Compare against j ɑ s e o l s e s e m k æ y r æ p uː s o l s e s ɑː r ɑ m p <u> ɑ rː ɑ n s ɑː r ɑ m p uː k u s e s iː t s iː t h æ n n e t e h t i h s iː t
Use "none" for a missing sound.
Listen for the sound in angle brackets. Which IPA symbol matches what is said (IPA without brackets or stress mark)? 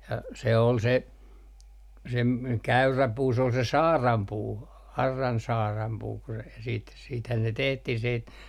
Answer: uː